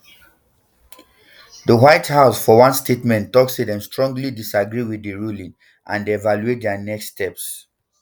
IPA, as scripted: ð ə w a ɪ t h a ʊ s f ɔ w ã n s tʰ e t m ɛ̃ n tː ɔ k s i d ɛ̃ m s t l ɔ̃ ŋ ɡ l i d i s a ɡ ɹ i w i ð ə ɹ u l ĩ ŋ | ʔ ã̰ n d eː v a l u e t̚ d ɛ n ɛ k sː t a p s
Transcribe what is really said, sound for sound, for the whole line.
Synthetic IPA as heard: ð ə w a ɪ t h a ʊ s f ɔ w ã n s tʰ e t m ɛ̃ n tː ɔ k s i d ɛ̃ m s t ɹ ɔ̃ ŋ ɡ l i d i s a ɡ ɹ i w i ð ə ɹ u l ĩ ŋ | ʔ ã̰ n d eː v a l u e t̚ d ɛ n ɛ k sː t ɛ p s